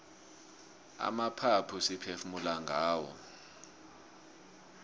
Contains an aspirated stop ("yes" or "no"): yes